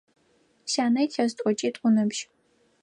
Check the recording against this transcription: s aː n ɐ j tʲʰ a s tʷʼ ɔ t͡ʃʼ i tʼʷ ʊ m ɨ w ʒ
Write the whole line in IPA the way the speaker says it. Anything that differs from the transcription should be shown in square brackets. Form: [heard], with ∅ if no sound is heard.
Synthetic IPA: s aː n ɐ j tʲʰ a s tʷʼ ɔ t͡ʃʼ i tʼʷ ʊ [n] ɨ [b] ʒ